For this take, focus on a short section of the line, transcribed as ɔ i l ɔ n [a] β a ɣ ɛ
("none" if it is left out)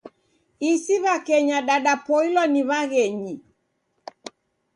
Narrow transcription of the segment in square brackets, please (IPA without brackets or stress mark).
i